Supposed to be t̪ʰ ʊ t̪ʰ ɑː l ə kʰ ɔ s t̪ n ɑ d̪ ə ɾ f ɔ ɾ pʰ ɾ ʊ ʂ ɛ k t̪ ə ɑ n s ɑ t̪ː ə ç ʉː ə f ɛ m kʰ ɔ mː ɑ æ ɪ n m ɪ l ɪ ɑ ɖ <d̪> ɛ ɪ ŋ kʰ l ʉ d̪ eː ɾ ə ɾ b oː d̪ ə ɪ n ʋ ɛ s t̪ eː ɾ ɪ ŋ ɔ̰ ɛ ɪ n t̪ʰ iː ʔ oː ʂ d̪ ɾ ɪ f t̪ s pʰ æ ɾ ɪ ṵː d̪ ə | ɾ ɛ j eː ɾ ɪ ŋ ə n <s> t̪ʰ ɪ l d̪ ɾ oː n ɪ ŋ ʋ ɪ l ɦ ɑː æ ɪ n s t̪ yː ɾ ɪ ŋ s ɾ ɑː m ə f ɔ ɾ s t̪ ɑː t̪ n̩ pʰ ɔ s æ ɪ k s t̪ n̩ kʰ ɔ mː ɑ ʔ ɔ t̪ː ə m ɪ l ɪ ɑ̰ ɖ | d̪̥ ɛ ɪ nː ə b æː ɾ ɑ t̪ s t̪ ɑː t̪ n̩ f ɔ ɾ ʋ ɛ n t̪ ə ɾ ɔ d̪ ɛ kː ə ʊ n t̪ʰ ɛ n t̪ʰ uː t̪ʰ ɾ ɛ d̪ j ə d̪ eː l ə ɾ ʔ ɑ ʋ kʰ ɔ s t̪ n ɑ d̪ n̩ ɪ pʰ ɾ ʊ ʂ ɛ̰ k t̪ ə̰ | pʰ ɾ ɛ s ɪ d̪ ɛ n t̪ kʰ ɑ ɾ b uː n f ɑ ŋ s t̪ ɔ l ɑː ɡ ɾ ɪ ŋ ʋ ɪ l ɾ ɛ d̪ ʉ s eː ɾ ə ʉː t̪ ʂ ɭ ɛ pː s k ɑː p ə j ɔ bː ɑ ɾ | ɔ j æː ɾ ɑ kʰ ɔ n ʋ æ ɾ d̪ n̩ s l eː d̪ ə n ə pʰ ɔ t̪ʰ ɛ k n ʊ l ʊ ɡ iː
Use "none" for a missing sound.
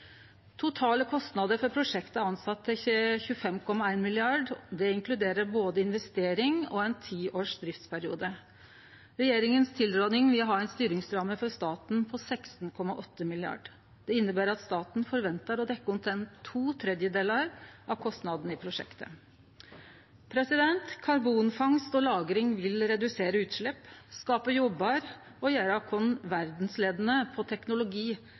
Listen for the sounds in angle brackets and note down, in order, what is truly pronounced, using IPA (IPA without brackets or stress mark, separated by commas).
d̪, s